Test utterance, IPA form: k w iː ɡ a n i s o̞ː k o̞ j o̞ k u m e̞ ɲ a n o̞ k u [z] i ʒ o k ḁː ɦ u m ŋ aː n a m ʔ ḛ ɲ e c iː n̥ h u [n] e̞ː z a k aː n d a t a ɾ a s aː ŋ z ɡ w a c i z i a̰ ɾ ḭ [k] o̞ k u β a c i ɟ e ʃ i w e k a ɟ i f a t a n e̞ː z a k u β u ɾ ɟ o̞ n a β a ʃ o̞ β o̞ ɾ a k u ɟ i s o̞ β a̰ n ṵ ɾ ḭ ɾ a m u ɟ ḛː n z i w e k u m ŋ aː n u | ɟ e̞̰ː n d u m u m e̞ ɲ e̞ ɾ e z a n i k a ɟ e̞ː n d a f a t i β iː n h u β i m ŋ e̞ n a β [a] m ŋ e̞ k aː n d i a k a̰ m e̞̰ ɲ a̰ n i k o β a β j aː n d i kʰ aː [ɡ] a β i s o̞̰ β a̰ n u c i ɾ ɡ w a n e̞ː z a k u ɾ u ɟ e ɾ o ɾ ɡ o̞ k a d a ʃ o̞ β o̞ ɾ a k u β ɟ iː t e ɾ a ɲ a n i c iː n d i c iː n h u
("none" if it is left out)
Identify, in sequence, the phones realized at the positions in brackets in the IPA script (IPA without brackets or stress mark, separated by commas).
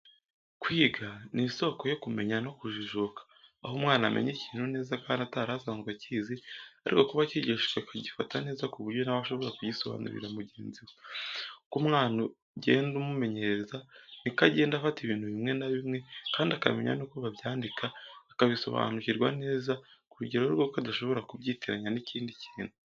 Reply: ʒ, n, k, i, k